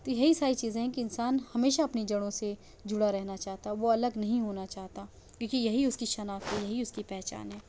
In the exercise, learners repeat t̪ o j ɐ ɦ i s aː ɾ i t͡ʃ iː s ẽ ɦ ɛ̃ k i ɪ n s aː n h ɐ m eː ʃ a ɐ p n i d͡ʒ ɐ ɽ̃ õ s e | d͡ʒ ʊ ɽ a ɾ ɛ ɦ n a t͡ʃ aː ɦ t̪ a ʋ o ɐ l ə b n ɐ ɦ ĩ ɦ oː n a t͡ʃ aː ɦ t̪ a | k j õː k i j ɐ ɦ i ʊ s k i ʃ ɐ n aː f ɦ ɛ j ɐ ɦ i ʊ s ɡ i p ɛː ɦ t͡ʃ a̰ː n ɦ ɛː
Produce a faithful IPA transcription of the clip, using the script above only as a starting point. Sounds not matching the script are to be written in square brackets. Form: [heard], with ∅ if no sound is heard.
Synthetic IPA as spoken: t̪ o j ɐ ɦ i s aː ɾ i t͡ʃ iː [z] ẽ ɦ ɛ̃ k i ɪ n s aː n h ɐ m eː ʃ a ɐ p n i d͡ʒ ɐ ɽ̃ õ s e | d͡ʒ ʊ ɽ a ɾ ɛ ɦ n a t͡ʃ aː ɦ t̪ a ʋ o ɐ l ə [ɡ] n ɐ ɦ ĩ ɦ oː n a t͡ʃ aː ɦ t̪ a | k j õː k i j ɐ ɦ i ʊ s k i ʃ ɐ n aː f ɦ ɛ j ɐ ɦ i ʊ s [k] i p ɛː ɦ t͡ʃ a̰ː n ɦ ɛː